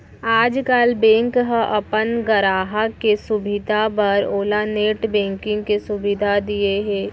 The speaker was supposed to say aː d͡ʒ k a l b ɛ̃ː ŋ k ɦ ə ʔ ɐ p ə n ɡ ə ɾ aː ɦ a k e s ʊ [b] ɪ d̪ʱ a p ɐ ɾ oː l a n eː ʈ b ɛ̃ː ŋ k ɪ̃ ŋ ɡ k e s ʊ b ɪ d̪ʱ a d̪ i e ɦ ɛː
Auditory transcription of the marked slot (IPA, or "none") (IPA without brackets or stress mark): b